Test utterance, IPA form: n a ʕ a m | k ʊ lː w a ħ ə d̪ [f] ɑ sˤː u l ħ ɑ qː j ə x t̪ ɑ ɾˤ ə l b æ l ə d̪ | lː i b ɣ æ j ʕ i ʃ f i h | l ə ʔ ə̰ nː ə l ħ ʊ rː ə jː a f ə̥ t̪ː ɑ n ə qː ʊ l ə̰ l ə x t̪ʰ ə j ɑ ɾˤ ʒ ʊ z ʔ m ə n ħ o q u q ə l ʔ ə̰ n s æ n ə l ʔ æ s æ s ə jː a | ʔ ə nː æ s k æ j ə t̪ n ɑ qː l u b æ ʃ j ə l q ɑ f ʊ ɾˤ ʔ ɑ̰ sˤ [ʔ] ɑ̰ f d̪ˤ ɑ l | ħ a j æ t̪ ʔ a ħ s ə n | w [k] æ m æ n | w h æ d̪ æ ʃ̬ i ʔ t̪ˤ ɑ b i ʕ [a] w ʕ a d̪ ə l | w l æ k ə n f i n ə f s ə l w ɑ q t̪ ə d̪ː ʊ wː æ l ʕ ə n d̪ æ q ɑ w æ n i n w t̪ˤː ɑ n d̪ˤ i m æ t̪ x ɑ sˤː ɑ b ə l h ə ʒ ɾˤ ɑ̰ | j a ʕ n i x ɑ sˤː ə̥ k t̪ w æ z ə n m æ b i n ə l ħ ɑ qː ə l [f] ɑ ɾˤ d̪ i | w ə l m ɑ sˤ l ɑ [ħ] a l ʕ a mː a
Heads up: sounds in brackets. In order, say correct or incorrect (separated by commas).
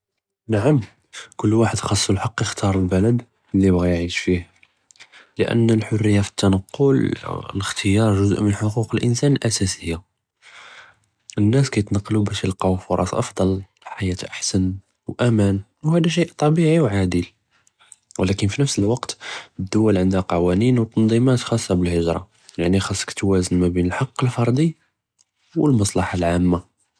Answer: incorrect, correct, incorrect, incorrect, correct, correct